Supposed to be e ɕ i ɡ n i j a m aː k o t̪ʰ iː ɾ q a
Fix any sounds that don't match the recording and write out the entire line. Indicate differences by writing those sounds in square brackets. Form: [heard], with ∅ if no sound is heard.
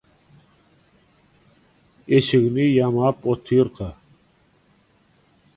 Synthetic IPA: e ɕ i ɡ n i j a m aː [p] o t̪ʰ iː ɾ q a